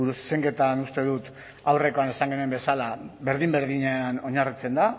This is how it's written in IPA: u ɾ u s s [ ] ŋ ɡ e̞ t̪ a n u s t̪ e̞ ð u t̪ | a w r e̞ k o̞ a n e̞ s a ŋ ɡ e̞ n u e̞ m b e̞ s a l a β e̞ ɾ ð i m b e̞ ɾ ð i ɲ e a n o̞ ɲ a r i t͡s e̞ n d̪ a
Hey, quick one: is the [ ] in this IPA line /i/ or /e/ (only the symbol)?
e